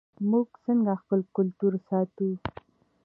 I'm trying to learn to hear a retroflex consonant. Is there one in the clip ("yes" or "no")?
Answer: no